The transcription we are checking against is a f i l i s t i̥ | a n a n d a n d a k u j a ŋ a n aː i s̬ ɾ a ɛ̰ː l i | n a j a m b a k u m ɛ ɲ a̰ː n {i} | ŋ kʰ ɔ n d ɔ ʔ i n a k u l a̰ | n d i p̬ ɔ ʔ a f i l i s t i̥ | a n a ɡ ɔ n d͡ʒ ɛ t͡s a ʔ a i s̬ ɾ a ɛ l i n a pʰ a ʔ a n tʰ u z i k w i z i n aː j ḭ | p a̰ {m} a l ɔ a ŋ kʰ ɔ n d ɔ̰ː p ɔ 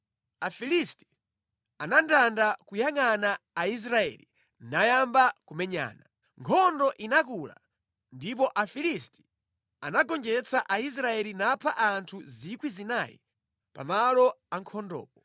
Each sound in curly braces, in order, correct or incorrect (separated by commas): incorrect, correct